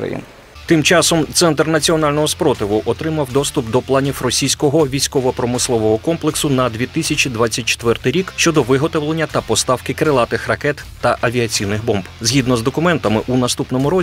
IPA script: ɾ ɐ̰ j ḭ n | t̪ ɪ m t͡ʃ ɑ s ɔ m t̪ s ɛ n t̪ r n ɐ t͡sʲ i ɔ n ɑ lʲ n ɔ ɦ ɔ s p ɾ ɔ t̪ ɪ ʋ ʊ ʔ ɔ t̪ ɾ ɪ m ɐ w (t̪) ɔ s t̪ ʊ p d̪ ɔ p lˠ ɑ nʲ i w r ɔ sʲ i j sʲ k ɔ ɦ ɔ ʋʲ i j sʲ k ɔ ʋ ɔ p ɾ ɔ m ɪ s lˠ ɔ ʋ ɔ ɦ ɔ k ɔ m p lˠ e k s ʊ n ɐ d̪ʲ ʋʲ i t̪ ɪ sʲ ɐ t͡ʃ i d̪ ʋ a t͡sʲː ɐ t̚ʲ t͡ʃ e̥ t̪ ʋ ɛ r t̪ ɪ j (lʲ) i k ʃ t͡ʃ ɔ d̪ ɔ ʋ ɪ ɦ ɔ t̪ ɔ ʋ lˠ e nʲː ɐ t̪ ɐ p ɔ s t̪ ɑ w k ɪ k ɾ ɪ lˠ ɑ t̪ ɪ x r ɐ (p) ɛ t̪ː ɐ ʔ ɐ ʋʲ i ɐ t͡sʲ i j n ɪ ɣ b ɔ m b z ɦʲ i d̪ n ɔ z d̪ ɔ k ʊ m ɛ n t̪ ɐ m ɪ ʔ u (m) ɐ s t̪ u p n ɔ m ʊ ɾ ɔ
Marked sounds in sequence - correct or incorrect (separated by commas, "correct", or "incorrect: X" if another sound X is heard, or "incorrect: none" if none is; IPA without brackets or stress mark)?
incorrect: d̪, incorrect: ɾʲ, incorrect: k, incorrect: n